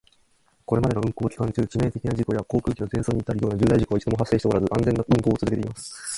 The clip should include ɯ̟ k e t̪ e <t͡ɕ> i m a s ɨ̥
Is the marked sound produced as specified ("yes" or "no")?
no